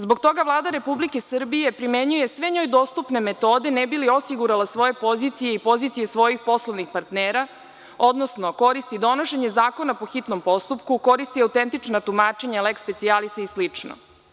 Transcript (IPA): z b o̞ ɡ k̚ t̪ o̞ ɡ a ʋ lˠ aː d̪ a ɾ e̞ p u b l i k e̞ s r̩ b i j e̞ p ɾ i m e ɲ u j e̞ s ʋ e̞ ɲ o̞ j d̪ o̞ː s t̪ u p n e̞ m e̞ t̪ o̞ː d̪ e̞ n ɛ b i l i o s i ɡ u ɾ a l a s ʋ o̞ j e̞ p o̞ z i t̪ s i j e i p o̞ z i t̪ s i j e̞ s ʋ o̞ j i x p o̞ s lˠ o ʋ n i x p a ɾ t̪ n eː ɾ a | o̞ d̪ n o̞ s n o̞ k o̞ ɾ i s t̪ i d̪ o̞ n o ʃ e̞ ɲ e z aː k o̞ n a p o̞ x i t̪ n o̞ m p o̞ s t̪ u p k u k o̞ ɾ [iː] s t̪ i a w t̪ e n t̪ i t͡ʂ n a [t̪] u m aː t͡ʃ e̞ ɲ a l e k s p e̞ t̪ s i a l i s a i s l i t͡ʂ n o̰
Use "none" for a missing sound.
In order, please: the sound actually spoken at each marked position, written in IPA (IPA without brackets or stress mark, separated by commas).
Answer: i, t̪